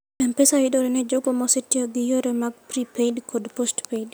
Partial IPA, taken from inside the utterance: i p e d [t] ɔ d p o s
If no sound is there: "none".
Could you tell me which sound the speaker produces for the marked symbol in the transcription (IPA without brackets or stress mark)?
k